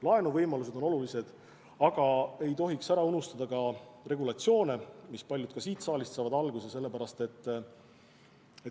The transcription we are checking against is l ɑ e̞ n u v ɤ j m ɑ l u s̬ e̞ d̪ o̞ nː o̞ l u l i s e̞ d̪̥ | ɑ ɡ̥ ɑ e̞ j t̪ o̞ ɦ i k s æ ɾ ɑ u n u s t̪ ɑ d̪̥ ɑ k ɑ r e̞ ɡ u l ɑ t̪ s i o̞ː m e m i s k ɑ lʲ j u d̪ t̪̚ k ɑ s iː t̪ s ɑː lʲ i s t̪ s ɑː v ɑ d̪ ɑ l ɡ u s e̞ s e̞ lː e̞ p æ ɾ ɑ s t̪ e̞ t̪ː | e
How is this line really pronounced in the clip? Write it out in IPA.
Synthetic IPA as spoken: l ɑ e̞ n u v ɤ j m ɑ l u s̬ e̞ d̪ o̞ n o̞ l u l i s e̞ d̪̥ | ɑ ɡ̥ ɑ e̞ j t̪ o̞ ɦ i k s æ ɾ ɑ u n u s t̪ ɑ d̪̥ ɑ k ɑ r e̞ ɡ u l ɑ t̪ s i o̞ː n e m i s p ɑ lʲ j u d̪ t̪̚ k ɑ s iː t̪ s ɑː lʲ i s t̪ s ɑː v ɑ d̪ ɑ l ɡ u s e̞ s e̞ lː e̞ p æ ɾ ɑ s t̪ e̞ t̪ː | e